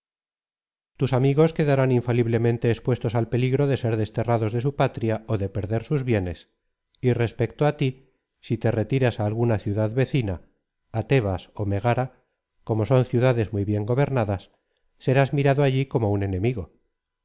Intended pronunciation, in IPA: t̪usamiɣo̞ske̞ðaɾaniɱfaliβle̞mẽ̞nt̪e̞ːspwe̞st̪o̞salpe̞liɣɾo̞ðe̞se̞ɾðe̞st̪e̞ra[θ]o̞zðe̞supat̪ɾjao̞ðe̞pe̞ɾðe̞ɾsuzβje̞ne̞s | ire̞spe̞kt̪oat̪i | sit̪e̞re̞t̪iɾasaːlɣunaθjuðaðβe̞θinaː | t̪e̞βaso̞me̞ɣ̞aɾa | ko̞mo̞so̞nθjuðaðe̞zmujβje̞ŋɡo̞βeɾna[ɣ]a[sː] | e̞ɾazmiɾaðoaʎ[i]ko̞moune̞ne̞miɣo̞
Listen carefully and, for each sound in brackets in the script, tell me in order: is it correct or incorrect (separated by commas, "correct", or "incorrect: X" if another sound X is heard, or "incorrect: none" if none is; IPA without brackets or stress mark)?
incorrect: ð, incorrect: ð, correct, correct